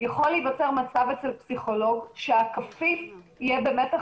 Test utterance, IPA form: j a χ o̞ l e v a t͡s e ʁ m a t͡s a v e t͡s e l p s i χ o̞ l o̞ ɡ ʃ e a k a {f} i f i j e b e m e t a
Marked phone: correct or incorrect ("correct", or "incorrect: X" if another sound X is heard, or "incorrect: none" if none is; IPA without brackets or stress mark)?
correct